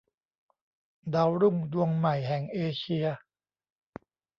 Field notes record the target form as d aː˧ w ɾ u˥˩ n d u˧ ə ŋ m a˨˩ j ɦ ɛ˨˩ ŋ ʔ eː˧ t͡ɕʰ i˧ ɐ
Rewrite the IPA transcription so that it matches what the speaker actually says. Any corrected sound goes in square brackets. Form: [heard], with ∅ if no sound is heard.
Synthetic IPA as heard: d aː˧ w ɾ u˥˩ [ŋ] d u˧ ə ŋ m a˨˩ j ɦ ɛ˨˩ ŋ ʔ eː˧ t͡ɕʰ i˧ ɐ